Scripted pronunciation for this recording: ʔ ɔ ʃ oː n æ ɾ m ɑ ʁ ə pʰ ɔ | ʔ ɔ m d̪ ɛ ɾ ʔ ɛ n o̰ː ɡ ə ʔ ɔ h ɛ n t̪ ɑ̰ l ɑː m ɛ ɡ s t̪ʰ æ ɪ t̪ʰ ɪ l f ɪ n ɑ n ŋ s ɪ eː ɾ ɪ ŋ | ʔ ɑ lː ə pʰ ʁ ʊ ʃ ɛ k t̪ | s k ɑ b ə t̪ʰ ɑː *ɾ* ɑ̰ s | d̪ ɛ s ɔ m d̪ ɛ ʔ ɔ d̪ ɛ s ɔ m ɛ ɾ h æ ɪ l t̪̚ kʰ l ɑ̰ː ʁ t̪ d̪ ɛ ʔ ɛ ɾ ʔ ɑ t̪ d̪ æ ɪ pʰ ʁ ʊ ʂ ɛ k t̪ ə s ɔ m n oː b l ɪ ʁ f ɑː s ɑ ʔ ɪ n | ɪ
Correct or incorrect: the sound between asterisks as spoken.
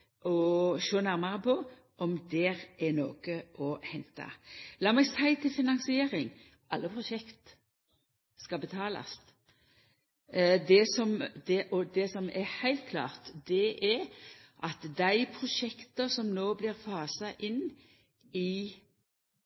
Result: incorrect: l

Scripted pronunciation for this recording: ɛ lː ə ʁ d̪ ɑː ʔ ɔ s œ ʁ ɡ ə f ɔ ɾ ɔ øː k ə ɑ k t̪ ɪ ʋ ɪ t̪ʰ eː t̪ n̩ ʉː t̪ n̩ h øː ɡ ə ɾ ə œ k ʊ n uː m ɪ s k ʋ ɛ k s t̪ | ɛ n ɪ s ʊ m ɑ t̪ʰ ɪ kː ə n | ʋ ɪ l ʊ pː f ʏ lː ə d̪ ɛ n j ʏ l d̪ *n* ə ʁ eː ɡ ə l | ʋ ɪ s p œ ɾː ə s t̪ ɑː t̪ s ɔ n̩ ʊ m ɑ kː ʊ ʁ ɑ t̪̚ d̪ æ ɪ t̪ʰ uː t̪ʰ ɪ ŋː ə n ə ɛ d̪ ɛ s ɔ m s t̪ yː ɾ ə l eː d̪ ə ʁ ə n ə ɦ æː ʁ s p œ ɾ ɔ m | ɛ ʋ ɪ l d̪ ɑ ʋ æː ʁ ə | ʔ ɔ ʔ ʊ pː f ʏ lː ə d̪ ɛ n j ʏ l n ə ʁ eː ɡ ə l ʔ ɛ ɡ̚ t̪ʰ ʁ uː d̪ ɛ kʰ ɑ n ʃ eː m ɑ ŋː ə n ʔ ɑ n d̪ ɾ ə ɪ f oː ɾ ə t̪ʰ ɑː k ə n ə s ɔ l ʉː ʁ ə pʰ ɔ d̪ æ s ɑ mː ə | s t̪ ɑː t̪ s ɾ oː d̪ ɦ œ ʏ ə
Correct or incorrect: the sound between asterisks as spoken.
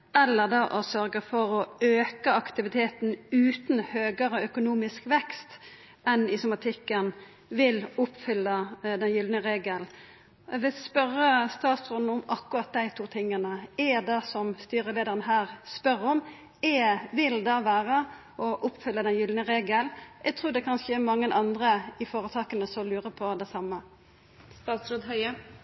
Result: correct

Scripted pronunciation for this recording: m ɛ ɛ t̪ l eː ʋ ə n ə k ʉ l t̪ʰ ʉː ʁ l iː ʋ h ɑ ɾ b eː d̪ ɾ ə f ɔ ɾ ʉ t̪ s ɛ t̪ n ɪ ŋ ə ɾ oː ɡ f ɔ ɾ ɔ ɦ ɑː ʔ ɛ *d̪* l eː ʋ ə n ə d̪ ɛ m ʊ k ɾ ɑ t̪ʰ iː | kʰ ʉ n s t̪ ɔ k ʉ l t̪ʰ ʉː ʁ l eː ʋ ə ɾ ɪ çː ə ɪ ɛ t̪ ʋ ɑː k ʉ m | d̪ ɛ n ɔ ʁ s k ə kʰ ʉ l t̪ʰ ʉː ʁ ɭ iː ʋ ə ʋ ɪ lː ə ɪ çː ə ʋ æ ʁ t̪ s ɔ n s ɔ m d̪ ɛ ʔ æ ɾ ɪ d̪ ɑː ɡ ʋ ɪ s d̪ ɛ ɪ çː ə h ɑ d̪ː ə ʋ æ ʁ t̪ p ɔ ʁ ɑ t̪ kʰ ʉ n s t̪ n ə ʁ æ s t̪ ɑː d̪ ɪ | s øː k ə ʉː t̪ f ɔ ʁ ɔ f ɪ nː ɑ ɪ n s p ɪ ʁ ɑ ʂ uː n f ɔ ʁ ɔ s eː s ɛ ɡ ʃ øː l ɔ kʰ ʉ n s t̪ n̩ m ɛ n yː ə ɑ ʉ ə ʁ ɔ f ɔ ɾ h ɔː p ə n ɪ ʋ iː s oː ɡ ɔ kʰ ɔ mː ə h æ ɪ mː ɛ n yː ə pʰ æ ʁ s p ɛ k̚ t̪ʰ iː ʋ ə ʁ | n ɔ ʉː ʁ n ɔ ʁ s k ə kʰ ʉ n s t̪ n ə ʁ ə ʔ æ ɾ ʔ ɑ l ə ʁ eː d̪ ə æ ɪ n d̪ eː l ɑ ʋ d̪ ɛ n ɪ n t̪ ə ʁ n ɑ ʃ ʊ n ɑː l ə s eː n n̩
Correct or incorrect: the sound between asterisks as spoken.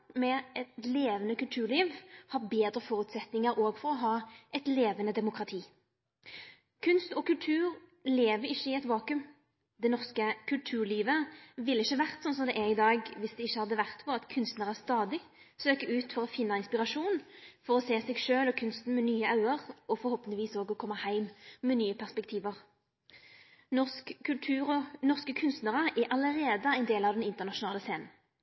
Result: incorrect: t̪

